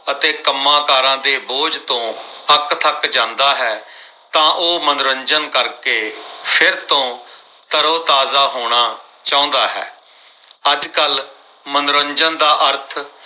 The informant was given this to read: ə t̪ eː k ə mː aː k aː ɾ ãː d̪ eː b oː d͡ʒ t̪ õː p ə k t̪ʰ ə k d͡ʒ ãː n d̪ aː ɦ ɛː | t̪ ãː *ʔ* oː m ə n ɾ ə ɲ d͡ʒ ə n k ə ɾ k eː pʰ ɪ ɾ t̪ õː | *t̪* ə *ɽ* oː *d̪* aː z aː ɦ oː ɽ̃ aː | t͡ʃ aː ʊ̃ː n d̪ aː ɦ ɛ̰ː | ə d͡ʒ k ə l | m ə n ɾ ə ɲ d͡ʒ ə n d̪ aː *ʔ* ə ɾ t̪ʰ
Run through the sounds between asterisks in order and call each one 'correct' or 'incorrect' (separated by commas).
correct, correct, incorrect, incorrect, correct